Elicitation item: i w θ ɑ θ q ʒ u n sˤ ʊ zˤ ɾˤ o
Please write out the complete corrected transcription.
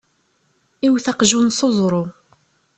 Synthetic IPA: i w θ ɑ q ʒ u n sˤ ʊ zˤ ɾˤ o